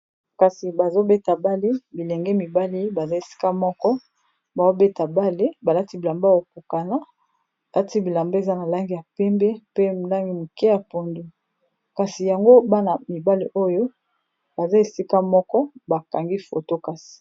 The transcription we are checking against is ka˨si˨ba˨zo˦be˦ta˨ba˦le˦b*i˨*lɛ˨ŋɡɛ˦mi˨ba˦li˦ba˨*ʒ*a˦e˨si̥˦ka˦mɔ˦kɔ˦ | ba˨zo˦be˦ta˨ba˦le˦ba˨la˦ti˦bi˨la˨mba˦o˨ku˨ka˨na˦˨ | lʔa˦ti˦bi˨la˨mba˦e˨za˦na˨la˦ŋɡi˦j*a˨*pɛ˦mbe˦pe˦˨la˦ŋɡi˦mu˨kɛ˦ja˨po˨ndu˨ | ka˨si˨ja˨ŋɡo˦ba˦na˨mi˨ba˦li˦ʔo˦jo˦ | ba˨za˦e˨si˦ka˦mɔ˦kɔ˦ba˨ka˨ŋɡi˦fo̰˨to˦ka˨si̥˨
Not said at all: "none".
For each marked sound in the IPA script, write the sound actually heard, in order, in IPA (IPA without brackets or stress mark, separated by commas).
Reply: i˨, z, a˨